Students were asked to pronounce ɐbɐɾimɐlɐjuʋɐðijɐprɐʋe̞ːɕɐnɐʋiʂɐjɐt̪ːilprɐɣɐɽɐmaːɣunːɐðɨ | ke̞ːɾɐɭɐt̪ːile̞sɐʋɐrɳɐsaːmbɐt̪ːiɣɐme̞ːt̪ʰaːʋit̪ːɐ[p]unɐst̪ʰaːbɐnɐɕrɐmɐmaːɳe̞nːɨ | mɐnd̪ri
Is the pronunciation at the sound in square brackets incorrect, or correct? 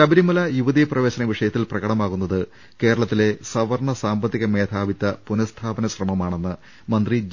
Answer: correct